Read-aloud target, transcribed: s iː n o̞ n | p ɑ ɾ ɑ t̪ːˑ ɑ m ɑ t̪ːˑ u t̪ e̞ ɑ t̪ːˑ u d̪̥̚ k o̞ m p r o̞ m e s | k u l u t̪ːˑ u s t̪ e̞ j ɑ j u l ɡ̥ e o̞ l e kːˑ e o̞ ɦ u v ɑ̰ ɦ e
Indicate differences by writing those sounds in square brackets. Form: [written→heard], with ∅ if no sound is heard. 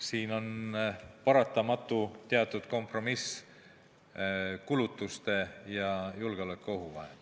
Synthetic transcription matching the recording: s iː n o̞ n | p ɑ ɾ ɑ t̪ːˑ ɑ m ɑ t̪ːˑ u t̪ e̞ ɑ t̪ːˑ u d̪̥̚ k o̞ m p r o̞ m [e→i] s | k u l u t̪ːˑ u s t̪ e̞ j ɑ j u l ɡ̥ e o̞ l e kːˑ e o̞ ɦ u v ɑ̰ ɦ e